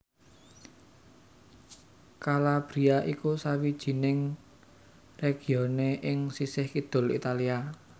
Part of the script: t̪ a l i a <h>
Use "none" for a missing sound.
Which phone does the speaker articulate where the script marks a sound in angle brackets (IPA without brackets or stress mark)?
none